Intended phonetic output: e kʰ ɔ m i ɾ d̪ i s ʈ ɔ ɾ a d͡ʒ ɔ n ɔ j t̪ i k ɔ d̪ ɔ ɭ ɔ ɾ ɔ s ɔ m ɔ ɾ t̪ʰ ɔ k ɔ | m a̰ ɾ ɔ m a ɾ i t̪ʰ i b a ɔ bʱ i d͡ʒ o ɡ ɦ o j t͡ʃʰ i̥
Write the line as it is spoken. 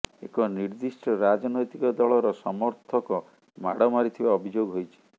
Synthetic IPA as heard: e k ɔ n i ɾ d̪ i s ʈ ɔ ɾ a d͡ʒ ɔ n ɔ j t̪ i k ɔ d̪ ɔ ɭ ɔ ɾ ɔ s ɔ m ɔ ɾ t̪ʰ ɔ k ɔ | m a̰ ɽ ɔ m a ɾ i t̪ʰ i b a ɔ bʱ i d͡ʒ o ɡ ɦ o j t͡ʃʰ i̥

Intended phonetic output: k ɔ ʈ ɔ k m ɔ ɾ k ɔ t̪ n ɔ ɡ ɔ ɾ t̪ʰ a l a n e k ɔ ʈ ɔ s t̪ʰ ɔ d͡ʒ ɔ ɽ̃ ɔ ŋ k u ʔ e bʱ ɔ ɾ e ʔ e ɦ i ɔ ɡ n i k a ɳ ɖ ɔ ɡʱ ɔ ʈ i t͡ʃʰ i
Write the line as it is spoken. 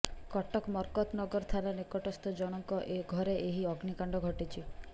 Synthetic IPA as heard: k ɔ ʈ ɔ k m ɔ ɾ k ɔ t̪ n ɔ ɡ ɔ ɾ t̪ʰ a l a n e k ɔ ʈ ɔ s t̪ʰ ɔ d͡ʒ ɔ ɽ̃ ɔ ŋ k ɔ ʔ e ɡʱ ɔ ɾ e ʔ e ɦ i ɔ ɡ n i k a ɳ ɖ ɔ ɡʱ ɔ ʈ i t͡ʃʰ i

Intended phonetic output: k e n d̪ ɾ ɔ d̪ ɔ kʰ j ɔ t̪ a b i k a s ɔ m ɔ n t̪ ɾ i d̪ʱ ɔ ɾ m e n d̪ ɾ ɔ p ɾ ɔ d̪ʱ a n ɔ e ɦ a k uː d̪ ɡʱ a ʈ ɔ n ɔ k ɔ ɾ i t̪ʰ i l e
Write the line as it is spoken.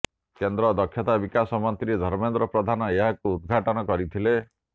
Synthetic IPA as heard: k e n d̪ ɾ ɔ d̪ ɔ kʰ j ɔ t̪ a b i k a s ɔ m ɔ n t̪ ɾ i d̪ʱ ɔ ɾ m e n d̪ ɾ ɔ p ɾ ɔ d̪ʱ a n ɔ e ɦ a k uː d̪ ɡʱ a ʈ ɔ n ɔ k ɔ ɾ i t̪ʰ i l e

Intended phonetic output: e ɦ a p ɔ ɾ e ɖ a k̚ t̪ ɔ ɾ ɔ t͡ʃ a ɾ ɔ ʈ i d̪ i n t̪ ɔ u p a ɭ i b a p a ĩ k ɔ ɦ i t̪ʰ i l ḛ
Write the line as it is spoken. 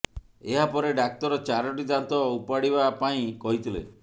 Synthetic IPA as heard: e ɦ a p ɔ ɾ e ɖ a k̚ t̪ ɔ ɾ ɔ t͡ʃ a ɾ ɔ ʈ i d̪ a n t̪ ɔ u p a ɽ i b a p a ĩ k ɔ ɦ i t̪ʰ i l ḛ

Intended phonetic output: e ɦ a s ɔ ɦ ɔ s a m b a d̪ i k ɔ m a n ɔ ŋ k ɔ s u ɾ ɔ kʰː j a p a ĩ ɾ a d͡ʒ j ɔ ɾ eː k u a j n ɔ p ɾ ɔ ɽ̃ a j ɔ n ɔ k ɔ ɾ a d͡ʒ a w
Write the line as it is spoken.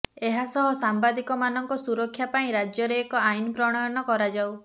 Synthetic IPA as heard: e ɦ a s ɔ ɦ ɔ s a m b a d̪ i k ɔ m a n ɔ ŋ k ɔ s u ɾ ɔ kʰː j a p a ĩ ɾ a d͡ʒ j ɔ ɾ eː k ɔ a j n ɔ p ɾ ɔ ɽ̃ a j ɔ n ɔ k ɔ ɾ a d͡ʒ a w

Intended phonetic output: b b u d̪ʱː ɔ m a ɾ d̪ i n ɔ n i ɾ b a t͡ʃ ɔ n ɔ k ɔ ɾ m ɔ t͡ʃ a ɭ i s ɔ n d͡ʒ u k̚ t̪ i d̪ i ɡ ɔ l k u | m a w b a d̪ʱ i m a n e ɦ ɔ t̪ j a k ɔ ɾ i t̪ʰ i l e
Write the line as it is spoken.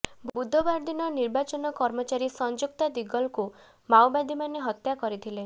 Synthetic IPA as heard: b b u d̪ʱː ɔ b a ɾ d̪ i n ɔ n i ɾ b a t͡ʃ ɔ n ɔ k ɔ ɾ m ɔ t͡ʃ a ɾ i s ɔ n d͡ʒ u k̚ t̪ a d̪ i ɡ ɔ l k u | m a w b a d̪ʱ i m a n e ɦ ɔ t̪ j a k ɔ ɾ i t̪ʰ i l e

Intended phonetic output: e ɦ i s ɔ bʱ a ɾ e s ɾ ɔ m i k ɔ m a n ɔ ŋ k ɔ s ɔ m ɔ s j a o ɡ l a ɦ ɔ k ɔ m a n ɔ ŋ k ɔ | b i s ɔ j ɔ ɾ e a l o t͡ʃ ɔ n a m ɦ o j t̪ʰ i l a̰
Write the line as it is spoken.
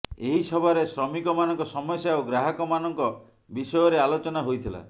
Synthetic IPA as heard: e ɦ i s ɔ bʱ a ɾ e s ɾ ɔ m i k ɔ m a n ɔ ŋ k ɔ s ɔ m ɔ s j a o ɡ ɾ a ɦ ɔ k ɔ m a n ɔ ŋ k ɔ | b i s ɔ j ɔ ɾ e a l o t͡ʃ ɔ n a ɦ o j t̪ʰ i l a̰

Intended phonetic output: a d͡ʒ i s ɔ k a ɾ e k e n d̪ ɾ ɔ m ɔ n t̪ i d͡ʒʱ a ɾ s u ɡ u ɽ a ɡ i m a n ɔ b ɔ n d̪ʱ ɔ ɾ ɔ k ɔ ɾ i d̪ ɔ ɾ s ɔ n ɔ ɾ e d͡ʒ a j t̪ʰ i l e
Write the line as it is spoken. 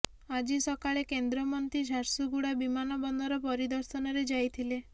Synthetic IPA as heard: a d͡ʒ i s ɔ k a ɭ e k e n d̪ ɾ ɔ m ɔ n t̪ i d͡ʒʱ a ɾ s u ɡ u ɽ a b i m a n ɔ b ɔ n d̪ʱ ɔ ɾ ɔ p ɔ ɾ i d̪ ɔ ɾ s ɔ n ɔ ɾ e d͡ʒ a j t̪ʰ i l e

